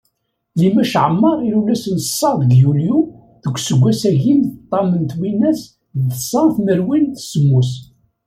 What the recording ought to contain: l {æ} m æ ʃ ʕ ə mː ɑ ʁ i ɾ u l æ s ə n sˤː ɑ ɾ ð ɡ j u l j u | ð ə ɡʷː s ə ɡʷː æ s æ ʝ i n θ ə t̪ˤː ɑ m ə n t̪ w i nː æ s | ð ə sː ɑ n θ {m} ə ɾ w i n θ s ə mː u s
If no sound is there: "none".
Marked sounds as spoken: i, m

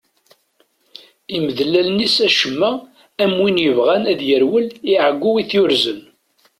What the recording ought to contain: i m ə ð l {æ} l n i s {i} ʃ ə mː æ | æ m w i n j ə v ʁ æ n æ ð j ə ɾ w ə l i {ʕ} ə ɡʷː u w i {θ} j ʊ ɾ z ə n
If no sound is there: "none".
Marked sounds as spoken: æ, æ, ʕ, θ

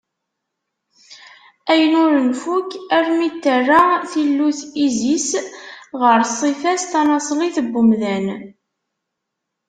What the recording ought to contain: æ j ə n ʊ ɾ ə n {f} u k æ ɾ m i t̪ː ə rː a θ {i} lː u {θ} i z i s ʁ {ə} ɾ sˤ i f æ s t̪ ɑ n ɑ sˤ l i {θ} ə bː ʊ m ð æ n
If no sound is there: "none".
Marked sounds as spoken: f, i, θ, ə, θ

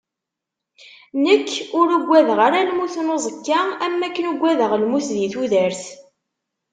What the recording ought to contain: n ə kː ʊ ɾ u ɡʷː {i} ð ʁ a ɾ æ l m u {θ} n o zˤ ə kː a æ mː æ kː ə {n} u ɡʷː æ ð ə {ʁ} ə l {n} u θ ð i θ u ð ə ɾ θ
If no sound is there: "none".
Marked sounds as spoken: æ, θ, n, ʁ, m

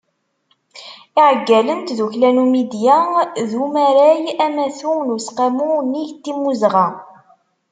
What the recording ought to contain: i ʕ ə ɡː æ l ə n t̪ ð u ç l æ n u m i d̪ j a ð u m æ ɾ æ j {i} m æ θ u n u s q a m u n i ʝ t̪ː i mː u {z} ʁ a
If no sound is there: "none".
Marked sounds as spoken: æ, z

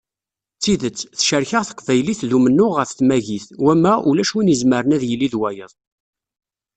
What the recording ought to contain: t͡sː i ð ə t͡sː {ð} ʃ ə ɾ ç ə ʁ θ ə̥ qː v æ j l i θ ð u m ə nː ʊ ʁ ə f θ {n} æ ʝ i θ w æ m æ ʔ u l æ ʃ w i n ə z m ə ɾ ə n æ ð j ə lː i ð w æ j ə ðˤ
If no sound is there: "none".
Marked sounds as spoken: θ, m

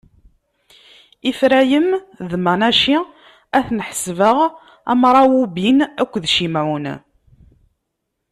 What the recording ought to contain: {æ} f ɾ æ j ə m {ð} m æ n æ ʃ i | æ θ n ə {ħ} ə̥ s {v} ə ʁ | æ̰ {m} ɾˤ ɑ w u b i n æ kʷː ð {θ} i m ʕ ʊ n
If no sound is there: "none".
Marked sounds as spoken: i, ð, ħ, v, m, ʃ

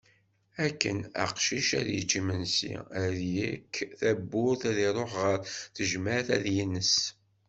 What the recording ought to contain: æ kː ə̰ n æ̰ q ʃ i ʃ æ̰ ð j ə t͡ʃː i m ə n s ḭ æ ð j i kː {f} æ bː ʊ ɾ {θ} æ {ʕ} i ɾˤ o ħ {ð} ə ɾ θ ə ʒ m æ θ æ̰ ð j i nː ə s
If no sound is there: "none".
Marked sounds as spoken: θ, θ, ð, ʁ

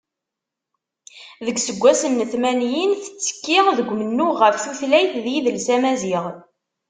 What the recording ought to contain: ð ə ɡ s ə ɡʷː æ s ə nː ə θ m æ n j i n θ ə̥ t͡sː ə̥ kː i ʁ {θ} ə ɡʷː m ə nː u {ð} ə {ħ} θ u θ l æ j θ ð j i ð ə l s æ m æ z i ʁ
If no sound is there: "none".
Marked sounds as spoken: ð, ʁ, f

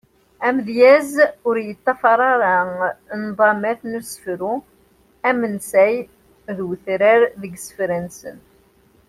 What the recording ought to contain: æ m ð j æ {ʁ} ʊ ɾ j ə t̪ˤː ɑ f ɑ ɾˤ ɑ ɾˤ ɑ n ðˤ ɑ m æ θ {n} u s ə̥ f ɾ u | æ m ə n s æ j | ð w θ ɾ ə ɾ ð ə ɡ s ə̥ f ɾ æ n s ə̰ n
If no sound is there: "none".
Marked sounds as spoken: z, n

